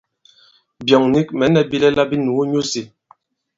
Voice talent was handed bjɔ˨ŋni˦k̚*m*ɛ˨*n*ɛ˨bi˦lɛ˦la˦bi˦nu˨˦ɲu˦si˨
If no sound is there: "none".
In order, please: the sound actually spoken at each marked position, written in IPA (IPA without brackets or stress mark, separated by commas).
m, n